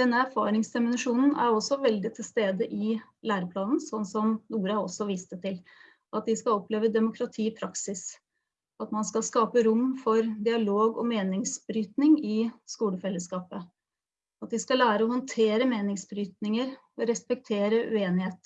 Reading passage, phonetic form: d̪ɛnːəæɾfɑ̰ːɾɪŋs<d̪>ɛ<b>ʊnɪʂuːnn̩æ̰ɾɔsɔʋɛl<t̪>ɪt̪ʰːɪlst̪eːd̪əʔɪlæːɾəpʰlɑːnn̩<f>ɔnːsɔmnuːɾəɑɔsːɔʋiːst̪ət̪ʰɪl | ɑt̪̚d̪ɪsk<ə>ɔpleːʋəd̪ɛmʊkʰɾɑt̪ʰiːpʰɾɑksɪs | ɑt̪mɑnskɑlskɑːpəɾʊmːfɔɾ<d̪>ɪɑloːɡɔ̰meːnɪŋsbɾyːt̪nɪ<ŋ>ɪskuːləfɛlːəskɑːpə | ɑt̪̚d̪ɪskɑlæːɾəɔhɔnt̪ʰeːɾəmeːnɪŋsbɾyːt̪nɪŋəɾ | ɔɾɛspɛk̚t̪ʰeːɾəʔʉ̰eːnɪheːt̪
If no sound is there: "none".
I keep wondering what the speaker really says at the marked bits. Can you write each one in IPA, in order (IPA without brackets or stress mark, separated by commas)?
d̪, m, d̪, s, ɑ, d̪, ŋ